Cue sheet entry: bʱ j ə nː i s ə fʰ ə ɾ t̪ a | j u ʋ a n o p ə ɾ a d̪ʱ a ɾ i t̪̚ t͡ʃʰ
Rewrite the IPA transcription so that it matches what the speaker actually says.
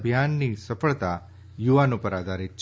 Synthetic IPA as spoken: bʱ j a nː i s ə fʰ ə ɭ t̪ a | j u ʋ a n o p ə ɾ a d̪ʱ a ɾ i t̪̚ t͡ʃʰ